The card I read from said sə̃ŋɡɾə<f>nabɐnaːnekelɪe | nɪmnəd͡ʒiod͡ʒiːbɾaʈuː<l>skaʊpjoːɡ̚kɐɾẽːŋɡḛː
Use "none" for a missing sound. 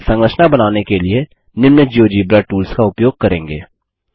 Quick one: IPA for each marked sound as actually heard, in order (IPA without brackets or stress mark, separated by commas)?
ʃ, l